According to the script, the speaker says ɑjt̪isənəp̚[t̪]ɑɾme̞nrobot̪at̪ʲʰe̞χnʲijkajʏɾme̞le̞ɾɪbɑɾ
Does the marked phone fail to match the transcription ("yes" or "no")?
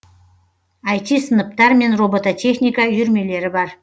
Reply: no